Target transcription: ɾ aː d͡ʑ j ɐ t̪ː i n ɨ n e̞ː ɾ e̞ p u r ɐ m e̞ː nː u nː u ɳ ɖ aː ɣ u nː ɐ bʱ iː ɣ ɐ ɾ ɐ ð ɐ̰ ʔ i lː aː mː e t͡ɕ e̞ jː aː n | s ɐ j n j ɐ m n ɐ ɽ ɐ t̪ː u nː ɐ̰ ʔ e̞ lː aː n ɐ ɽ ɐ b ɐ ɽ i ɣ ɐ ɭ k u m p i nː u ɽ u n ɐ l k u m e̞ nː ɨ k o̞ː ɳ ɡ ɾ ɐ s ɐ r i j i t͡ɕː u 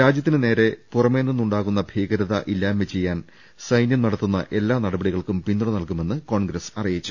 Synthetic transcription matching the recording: ɾ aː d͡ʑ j ɐ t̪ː i n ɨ n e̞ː ɾ e̞ p u r ɐ m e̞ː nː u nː u ɳ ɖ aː ɣ u nː ɐ bʱ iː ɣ ɐ ɾ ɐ ð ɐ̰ ʔ i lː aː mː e t͡ɕ e̞ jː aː n | s ɐ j n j ɐ m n ɐ ɽ ɐ t̪ː u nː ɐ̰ ʔ e̞ lː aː n ɐ ɽ ɐ b ɐ ɽ i ɣ ɐ ɭ k u m p i nː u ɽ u n ɐ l k u m e̞ nː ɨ k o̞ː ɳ ɡ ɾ ɐ s ɐ r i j i t͡ɕː u